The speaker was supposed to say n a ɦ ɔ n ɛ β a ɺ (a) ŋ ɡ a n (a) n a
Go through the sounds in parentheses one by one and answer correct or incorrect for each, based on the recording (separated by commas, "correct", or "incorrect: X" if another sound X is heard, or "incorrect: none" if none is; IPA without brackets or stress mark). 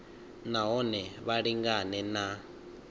incorrect: i, incorrect: ɛ